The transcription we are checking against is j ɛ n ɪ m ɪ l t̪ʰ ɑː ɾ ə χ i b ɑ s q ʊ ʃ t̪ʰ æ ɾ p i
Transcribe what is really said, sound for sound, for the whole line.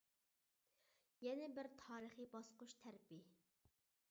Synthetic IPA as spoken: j ɛ n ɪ b ɪ ɾ t̪ʰ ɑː ɾ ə χ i b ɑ s q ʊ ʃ t̪ʰ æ ɾ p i